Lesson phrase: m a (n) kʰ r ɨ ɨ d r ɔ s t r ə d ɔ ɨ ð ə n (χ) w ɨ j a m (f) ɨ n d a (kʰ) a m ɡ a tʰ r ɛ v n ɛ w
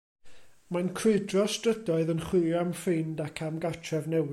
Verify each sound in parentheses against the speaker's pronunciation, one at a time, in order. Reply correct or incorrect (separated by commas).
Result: correct, correct, correct, correct